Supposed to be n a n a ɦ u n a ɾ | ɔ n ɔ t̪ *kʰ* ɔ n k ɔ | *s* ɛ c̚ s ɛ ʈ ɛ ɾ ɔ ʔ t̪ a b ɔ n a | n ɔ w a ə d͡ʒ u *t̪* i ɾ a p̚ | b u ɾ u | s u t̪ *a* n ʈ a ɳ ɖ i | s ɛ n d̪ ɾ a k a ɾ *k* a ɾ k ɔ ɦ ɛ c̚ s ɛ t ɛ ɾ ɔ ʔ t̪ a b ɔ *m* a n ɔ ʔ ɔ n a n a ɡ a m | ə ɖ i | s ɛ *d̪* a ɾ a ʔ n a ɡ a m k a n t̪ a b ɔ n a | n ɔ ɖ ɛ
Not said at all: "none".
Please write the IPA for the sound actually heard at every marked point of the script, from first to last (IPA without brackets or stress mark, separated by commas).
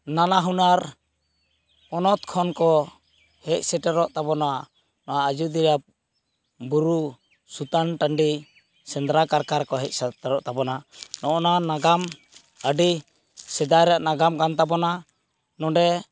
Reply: kʰ, h, d̪, a, k, n, d̪